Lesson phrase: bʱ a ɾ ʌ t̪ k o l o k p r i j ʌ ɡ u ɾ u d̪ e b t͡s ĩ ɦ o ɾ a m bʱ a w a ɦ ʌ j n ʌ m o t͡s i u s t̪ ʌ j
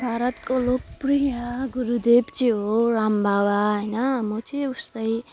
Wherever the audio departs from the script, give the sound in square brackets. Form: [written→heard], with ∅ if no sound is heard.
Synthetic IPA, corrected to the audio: bʱ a ɾ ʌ t̪ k o l o k p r i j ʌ ɡ u ɾ u d̪ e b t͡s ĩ ɦ o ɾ a m bʱ a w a ɦ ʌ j n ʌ m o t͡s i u s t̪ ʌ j